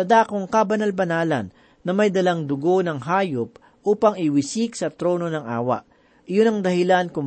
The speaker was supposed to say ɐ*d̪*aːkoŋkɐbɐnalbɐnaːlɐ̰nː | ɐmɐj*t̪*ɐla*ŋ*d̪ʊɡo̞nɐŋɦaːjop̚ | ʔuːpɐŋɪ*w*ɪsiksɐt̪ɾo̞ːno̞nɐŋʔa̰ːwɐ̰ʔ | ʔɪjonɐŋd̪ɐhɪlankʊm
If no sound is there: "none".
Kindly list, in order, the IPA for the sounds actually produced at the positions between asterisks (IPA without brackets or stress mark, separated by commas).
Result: d̪, d̪, ŋ, w